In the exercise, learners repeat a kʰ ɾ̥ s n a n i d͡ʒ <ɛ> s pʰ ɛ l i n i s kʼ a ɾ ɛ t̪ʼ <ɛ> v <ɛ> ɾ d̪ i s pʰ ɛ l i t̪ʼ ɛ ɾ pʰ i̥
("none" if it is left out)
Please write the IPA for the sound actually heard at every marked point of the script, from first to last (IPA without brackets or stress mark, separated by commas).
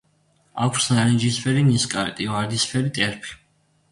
i, i, a